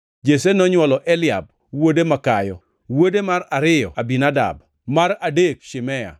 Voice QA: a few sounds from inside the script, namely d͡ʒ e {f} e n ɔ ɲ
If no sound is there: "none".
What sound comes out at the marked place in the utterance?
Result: s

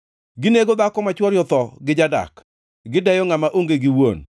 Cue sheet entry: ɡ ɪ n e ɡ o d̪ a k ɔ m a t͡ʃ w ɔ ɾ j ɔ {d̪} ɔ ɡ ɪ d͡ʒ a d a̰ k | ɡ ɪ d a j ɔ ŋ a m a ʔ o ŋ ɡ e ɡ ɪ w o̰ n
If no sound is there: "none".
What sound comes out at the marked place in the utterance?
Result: t̪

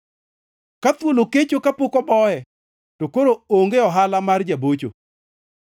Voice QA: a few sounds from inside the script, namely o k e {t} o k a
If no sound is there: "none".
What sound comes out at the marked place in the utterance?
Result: t͡ʃ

